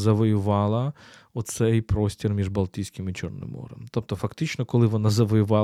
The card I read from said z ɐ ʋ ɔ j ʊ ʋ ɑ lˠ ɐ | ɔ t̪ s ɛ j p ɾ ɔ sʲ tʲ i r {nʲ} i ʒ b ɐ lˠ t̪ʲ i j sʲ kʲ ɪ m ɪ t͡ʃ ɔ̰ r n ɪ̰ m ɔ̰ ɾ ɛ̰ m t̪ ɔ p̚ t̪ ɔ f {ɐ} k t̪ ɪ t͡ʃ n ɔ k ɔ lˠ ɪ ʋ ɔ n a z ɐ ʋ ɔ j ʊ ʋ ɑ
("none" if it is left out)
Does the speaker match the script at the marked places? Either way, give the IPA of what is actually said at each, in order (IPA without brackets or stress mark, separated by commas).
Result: mʲ, ɐ